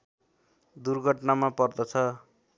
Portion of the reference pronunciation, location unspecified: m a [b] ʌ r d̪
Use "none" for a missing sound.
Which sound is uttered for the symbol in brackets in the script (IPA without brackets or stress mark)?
p